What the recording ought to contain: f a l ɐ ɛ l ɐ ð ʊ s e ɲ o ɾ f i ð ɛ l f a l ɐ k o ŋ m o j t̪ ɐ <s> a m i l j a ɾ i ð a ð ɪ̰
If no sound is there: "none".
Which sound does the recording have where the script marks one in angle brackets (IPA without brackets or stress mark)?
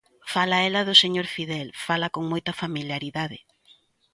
f